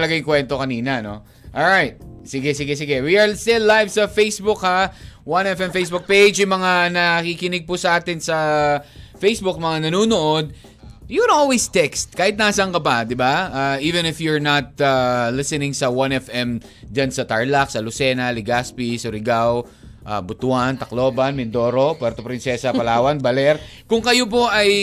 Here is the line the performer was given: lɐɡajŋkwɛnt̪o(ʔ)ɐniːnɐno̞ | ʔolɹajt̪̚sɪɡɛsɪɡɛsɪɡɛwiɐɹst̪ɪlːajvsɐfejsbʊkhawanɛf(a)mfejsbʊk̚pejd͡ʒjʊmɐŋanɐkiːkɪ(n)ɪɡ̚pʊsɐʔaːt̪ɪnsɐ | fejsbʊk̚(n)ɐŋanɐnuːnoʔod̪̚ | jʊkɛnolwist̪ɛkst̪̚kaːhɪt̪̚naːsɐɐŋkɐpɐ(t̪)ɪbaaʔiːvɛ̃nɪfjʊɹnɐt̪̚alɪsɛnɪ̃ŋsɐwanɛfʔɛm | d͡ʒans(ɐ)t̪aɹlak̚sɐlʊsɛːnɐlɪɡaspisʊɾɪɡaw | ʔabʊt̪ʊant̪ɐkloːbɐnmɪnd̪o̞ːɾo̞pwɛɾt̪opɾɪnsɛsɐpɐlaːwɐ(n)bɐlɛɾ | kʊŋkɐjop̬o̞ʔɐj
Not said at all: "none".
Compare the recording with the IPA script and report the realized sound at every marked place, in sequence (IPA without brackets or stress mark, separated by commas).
k, ɛ, n, m, d̪, ɐ, n